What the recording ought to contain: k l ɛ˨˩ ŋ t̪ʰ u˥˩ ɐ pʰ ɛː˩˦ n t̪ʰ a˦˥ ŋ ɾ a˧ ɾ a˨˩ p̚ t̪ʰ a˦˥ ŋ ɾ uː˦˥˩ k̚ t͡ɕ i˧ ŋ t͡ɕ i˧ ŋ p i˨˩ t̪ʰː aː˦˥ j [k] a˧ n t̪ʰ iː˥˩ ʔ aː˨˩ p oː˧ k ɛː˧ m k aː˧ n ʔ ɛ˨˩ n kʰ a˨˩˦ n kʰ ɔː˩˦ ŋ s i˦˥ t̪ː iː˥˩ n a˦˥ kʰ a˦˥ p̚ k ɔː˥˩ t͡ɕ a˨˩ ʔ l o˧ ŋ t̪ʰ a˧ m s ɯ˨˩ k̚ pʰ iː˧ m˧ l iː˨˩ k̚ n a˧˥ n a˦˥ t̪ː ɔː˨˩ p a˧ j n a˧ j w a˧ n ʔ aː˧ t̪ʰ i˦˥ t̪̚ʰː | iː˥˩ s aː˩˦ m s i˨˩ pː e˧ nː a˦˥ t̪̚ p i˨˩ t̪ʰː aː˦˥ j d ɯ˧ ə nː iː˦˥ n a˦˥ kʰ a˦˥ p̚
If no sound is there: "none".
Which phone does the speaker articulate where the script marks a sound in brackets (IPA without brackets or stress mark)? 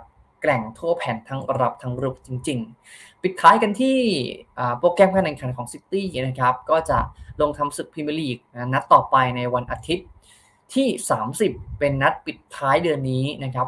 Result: k